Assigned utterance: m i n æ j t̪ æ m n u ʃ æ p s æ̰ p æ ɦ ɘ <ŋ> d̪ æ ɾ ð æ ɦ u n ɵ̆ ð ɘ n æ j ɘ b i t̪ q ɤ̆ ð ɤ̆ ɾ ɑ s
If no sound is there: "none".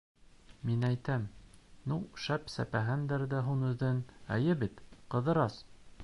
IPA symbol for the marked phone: n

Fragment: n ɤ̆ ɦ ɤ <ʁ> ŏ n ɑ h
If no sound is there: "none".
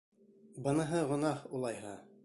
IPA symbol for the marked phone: ʁ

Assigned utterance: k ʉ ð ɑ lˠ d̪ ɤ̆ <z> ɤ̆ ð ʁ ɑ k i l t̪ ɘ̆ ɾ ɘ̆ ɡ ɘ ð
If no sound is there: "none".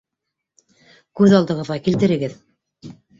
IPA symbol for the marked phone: ʁ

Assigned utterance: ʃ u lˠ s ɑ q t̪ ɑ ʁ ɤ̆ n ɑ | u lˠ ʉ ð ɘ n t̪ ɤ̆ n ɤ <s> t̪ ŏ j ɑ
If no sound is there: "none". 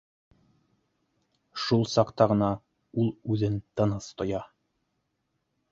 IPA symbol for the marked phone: s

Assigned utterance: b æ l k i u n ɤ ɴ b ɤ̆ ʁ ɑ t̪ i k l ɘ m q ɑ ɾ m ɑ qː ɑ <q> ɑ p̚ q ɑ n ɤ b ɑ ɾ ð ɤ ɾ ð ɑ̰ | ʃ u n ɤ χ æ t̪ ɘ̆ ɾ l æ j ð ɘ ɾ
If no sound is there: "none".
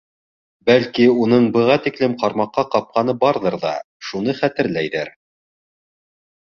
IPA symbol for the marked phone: q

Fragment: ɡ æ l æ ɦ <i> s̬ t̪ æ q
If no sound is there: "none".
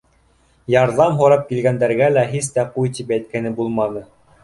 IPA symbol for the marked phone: i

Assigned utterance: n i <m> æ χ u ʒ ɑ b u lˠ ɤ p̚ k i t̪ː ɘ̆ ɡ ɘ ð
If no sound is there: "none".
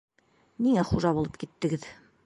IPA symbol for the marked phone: ŋ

